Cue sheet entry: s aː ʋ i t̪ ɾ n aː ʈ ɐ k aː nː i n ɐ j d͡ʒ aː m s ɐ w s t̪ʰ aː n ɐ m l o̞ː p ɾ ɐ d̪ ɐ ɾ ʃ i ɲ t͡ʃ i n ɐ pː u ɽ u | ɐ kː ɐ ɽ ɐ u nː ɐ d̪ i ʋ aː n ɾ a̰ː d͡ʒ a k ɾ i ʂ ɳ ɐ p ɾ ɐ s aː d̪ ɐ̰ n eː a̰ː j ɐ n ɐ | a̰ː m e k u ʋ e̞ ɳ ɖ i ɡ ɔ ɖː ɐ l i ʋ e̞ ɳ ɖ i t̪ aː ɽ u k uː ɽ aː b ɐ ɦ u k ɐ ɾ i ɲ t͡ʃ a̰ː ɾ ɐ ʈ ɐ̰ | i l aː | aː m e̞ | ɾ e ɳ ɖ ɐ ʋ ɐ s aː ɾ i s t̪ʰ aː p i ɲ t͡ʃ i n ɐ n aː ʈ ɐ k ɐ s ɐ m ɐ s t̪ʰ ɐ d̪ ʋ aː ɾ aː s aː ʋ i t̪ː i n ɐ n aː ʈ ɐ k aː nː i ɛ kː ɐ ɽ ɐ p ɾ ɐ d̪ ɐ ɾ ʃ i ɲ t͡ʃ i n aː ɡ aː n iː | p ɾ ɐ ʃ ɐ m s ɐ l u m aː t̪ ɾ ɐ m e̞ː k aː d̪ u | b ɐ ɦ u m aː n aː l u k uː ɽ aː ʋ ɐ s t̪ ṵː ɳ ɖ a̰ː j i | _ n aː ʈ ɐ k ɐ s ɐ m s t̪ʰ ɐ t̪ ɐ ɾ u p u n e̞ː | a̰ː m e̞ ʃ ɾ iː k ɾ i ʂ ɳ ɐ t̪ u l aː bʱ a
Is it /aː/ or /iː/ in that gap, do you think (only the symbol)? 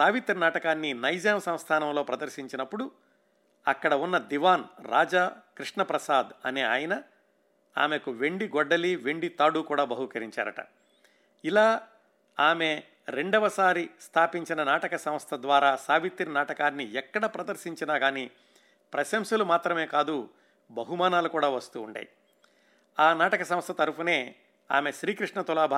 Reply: aː